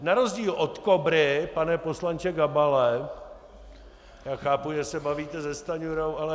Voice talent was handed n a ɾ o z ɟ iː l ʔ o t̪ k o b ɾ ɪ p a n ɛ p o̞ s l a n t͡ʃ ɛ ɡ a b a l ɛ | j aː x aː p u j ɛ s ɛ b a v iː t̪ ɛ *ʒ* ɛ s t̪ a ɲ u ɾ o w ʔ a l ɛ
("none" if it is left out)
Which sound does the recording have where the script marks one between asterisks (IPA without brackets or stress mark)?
z